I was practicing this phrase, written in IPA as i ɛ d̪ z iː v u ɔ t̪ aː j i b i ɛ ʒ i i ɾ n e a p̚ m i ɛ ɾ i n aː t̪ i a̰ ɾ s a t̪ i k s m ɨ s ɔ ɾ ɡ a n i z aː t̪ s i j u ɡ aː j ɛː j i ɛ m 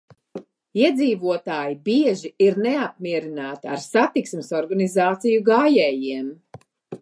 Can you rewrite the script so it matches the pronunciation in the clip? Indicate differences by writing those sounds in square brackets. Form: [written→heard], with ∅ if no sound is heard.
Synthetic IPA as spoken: i ɛ d̪ z iː v u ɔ t̪ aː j i b i ɛ ʒ i i ɾ n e a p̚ m i ɛ ɾ i n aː t̪ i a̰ ɾ s a t̪ i k s m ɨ s ɔ ɾ ɡ a n i z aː t̪ s i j u ɡ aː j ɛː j i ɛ m